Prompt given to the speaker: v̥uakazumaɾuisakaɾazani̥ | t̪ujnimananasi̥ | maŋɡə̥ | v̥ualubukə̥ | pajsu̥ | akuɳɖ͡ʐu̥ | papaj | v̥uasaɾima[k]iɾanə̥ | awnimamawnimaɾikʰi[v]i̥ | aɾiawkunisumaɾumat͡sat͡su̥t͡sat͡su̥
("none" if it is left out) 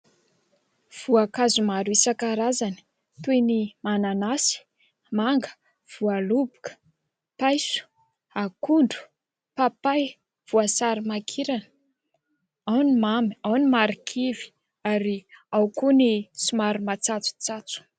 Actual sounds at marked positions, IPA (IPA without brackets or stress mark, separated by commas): kʰ, v